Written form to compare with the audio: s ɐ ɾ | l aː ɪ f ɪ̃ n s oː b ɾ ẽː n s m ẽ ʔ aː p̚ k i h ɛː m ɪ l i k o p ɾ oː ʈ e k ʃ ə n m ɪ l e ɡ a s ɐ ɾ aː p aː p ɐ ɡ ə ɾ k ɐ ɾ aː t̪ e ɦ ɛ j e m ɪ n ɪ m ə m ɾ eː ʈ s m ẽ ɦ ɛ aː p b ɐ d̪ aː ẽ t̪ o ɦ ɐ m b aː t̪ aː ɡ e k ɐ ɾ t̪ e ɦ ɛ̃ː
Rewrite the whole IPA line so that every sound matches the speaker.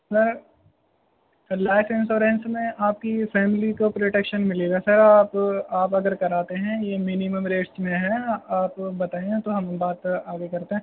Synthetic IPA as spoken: s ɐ ɾ | l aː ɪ f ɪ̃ n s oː ɾ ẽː n s m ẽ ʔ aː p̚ k i f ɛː m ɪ l i k o p ɾ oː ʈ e k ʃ ə n m ɪ l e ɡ a s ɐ ɾ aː p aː p ɐ ɡ ə ɾ k ɐ ɾ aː t̪ e ɦ ɛ̃ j e m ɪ n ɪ m ə m ɾ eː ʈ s m ẽ ɦ ɛ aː p b ɐ t̪ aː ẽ t̪ o ɦ ɐ m b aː t̪ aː ɡ e k ɐ ɾ t̪ e ɦ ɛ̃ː